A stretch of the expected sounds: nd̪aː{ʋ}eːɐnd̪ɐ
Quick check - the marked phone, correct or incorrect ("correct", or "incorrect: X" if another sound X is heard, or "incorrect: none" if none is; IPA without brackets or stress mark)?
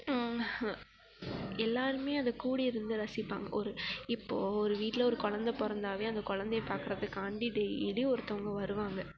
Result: correct